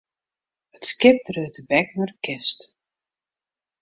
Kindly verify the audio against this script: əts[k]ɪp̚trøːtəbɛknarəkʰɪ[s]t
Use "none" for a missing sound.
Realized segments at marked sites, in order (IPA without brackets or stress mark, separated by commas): k, s